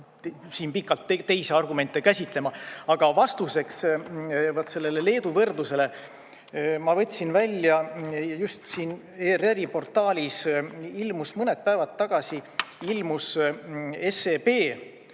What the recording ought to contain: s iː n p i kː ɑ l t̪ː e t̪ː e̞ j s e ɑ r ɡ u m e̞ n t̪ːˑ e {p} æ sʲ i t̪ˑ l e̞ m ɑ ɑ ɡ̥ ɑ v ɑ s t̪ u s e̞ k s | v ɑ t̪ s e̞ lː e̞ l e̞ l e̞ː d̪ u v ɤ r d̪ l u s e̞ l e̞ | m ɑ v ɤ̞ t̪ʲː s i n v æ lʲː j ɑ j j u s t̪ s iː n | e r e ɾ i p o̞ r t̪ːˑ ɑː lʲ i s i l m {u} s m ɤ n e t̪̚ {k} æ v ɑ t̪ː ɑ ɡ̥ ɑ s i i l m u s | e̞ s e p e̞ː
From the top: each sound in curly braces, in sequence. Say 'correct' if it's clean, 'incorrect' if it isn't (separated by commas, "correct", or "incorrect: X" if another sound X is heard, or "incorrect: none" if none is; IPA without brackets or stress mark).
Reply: incorrect: k, correct, incorrect: p